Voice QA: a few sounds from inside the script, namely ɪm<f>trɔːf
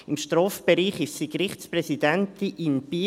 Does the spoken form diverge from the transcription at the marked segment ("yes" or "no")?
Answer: yes